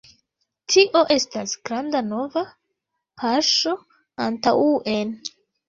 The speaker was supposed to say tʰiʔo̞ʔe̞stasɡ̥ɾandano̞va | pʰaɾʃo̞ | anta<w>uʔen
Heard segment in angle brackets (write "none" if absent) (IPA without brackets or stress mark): w